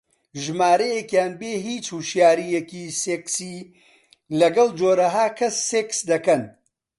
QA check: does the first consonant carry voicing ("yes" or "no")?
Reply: yes